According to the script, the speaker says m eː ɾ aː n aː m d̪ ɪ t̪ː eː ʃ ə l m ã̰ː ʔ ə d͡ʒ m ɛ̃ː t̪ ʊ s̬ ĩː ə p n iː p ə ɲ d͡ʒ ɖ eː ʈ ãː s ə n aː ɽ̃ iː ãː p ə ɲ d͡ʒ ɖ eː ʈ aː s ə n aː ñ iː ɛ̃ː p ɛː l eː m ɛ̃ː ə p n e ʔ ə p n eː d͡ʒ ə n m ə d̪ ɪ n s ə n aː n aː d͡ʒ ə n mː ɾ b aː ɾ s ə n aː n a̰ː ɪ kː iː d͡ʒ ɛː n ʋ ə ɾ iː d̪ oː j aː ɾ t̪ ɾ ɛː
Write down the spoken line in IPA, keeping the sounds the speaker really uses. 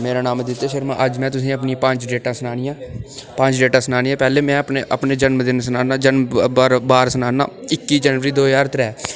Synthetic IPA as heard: m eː ɾ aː n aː m d̪ ɪ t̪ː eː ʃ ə ɾ m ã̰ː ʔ ə d͡ʒ m ɛ̃ː t̪ ʊ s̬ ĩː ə p n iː p ə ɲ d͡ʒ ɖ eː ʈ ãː s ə n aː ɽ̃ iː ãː p ə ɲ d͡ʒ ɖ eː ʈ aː s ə n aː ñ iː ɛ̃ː p ɛː l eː m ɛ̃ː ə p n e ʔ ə p n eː d͡ʒ ə n m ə d̪ ɪ n s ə n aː n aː d͡ʒ ə n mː ɾ b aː ɾ s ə n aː n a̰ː ɪ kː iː d͡ʒ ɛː n ʋ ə ɾ iː d̪ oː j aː ɾ t̪ ɾ ɛː